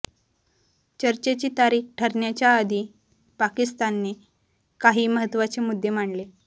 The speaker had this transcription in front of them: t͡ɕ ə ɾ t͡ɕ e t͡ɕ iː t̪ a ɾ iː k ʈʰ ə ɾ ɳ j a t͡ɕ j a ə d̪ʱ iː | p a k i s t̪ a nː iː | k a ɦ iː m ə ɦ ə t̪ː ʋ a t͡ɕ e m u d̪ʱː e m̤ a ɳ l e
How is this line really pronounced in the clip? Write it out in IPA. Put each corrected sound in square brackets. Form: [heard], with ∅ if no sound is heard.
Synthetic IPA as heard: t͡ɕ ə ɾ t͡ɕ e t͡ɕ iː t̪ a ɾ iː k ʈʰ ə ɾ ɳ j a t͡ɕ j a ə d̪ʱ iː | p a k i s t̪ a nː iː | k a ɦ iː m ə ɦ ə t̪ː ʋ a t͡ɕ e m u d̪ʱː e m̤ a ɳ l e